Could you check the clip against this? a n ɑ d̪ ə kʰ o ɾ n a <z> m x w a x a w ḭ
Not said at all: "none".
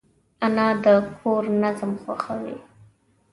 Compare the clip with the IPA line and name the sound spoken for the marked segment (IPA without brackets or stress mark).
z